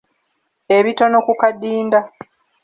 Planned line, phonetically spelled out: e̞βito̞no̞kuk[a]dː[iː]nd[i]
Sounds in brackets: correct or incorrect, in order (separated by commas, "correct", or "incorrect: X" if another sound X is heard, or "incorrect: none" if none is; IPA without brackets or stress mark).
correct, correct, incorrect: a